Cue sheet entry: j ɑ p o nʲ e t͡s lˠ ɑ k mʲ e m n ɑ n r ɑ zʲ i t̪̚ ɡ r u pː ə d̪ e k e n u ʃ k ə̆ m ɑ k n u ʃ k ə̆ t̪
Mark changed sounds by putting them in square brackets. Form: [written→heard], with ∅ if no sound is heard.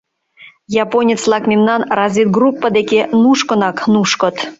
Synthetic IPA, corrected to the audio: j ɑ p o nʲ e t͡s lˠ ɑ k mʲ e m n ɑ n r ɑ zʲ i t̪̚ ɡ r u pː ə d̪ e k e n u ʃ k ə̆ [m→n] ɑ k n u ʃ k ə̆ t̪